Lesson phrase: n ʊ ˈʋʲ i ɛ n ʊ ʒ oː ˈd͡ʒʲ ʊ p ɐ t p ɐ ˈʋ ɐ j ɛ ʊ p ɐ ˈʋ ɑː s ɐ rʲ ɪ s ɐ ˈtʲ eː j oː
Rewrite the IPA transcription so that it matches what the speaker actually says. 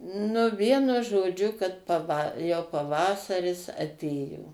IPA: n ʊ ˈʋʲ i ɛ n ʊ ʒ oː ˈd͡ʒʲ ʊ k ɐ t p ɐ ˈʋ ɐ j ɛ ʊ p ɐ ˈʋ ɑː s ɐ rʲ ɪ s ɐ ˈtʲ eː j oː